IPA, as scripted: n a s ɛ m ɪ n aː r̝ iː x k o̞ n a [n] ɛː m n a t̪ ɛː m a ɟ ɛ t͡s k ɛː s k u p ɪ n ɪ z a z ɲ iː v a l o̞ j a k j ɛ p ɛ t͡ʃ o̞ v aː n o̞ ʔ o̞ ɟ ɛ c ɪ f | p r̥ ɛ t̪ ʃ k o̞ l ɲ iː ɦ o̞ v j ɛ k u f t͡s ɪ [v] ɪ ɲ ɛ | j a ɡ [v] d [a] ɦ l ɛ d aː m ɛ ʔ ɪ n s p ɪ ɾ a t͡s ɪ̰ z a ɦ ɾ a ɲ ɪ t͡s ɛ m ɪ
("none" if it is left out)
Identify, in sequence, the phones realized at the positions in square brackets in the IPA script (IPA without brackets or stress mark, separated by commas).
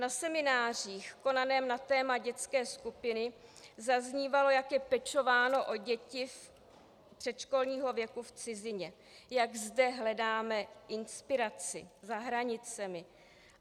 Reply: n, z, z, ɛ